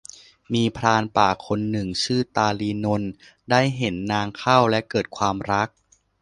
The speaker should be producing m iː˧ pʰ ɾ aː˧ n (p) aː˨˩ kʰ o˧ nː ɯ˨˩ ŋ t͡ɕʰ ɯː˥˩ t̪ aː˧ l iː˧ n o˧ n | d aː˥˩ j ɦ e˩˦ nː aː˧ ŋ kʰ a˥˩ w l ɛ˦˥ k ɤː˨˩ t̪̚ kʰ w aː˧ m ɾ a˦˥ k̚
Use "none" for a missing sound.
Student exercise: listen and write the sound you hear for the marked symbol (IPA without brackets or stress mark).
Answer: p